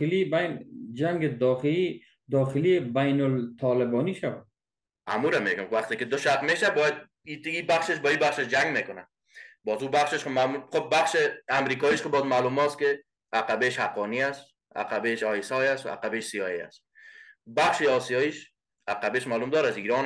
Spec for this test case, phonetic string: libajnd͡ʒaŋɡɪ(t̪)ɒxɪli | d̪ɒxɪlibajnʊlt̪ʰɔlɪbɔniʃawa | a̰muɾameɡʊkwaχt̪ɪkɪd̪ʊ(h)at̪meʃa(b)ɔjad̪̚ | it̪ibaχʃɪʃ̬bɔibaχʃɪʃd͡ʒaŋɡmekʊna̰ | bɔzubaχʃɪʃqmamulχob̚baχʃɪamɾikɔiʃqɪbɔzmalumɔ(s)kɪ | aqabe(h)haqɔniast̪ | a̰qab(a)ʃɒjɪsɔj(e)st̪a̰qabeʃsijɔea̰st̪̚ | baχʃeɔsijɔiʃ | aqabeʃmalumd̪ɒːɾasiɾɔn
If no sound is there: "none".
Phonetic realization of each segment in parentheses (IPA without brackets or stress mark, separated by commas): d̪, ʃ, b, s, ʃ, e, a